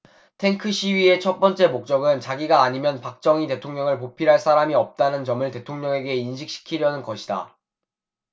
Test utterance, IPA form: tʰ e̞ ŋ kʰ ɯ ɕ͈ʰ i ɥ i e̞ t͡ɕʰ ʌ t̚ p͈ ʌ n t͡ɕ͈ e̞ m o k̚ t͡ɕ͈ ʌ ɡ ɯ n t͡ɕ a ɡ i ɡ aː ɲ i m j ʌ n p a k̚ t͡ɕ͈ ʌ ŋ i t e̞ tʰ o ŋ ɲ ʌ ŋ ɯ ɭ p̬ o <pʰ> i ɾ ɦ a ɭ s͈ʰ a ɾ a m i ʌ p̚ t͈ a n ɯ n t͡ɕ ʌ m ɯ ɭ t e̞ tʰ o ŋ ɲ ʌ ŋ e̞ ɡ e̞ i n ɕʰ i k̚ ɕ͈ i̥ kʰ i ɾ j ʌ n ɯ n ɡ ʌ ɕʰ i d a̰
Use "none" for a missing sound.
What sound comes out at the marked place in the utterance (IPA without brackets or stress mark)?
pʰ